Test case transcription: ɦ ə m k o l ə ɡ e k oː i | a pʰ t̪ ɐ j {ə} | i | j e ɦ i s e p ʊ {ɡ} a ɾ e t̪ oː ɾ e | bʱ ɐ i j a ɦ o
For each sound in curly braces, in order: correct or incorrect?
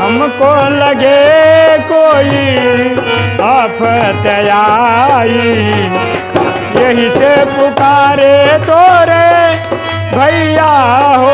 incorrect: a, incorrect: k

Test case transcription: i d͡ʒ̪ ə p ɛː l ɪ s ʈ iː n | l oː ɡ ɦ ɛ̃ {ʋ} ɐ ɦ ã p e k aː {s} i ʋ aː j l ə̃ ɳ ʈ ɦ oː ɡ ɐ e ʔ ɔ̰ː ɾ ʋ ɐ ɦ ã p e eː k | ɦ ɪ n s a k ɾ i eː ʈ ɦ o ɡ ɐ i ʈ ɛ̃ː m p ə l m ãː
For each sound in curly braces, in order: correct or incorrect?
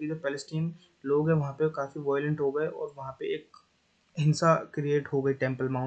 correct, incorrect: f

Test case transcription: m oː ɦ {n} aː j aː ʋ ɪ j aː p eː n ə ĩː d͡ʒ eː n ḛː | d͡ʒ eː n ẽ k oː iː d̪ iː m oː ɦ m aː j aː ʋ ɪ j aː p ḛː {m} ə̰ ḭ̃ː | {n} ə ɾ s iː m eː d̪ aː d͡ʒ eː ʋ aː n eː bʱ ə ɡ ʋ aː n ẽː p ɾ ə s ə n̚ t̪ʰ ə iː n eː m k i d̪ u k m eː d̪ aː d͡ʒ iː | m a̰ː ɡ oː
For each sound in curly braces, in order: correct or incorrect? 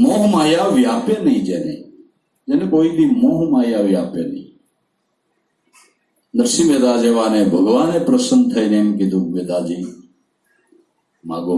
incorrect: m, incorrect: n, correct

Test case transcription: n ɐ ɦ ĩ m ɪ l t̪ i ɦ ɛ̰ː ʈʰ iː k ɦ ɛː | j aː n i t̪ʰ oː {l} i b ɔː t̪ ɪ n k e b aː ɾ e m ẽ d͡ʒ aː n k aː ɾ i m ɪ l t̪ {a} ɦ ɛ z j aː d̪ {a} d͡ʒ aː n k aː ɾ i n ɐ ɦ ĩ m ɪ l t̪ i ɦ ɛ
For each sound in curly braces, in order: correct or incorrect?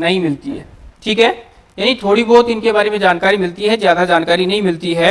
incorrect: ɽ, incorrect: i, correct

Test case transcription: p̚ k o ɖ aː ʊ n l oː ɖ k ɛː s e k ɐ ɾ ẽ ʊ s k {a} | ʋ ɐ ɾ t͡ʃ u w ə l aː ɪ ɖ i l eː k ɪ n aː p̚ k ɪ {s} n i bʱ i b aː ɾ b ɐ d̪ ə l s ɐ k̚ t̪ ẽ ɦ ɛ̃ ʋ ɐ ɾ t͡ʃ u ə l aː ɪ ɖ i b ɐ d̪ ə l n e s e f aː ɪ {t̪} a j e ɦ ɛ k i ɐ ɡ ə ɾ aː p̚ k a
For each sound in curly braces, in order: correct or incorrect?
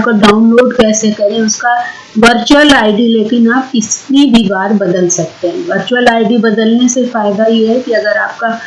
correct, correct, incorrect: d̪

